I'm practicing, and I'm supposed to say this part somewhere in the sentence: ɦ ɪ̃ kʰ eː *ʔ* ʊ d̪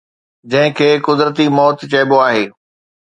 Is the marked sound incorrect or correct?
incorrect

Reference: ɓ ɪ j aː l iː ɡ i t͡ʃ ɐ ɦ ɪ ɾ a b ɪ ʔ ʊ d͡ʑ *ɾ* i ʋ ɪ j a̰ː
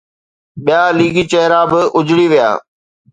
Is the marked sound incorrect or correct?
incorrect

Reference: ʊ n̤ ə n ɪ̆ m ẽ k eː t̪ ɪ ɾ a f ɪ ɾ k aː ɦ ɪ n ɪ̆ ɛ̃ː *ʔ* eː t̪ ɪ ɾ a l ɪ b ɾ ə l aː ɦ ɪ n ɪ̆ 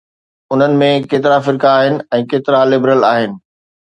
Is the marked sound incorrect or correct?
incorrect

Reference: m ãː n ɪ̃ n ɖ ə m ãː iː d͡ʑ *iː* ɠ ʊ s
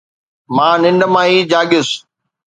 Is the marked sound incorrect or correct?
incorrect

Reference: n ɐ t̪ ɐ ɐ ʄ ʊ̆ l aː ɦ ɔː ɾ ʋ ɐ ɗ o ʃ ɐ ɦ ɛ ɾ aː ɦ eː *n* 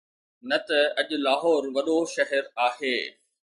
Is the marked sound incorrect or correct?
incorrect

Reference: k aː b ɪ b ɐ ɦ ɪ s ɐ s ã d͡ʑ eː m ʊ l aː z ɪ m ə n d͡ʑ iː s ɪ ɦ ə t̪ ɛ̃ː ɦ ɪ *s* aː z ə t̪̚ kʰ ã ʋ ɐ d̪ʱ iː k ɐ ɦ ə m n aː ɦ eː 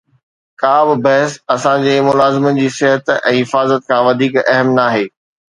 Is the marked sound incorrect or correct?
incorrect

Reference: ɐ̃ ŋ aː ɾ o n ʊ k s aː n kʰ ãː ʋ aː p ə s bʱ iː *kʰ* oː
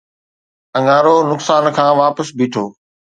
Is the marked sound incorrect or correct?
incorrect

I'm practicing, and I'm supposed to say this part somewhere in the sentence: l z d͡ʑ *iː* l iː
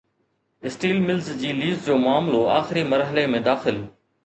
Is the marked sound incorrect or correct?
correct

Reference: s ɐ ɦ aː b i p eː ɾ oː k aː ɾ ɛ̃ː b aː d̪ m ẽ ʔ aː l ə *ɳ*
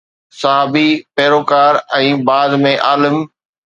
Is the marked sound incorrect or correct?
incorrect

